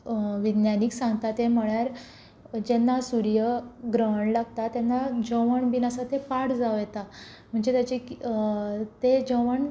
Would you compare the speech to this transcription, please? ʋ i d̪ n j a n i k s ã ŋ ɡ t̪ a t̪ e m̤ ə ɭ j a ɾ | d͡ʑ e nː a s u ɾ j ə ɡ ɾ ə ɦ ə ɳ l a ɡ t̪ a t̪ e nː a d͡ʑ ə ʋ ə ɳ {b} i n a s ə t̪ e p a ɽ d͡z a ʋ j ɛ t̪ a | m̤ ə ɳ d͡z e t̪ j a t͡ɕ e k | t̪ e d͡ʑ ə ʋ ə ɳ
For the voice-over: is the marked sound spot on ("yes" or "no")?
yes